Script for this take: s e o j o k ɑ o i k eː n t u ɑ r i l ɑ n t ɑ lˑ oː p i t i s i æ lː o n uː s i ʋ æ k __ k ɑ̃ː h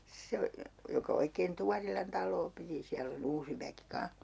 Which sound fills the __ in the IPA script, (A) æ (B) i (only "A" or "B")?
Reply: B